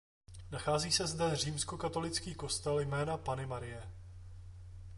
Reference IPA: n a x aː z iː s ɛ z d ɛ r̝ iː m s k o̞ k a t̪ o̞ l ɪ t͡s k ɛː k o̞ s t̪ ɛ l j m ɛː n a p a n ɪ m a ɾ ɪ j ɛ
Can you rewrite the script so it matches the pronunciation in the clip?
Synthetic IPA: n a x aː z iː s ɛ z d ɛ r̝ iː m s k o̞ k a t̪ o̞ l ɪ t͡s k iː k o̞ s t̪ ɛ l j m ɛː n a p a n ɪ m a ɾ ɪ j ɛ